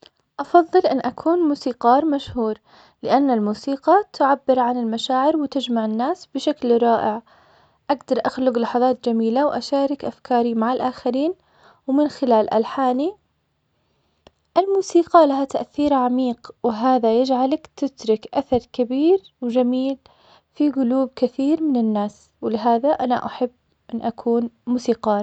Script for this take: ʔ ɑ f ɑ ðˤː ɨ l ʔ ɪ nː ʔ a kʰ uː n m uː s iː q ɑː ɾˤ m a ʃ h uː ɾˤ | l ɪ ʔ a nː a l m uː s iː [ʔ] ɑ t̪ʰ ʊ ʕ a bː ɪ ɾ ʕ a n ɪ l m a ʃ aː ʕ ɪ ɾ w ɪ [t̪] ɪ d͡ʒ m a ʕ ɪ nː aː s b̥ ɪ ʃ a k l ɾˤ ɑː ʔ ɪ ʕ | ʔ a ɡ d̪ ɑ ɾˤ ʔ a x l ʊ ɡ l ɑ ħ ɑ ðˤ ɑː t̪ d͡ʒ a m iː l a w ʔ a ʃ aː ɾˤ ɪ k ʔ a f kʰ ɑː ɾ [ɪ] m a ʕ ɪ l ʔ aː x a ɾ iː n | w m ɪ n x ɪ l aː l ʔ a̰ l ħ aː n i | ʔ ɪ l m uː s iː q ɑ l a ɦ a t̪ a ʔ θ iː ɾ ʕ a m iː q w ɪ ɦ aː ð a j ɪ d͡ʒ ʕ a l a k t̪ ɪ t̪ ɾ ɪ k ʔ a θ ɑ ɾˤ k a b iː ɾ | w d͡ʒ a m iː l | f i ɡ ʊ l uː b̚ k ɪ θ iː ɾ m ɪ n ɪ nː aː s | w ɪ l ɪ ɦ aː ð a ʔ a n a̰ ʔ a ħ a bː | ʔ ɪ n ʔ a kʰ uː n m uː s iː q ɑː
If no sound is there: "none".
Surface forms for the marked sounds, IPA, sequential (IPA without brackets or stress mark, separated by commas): q, t̪, i